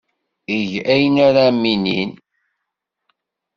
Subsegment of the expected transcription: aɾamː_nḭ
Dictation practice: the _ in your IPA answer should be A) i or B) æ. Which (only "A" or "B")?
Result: A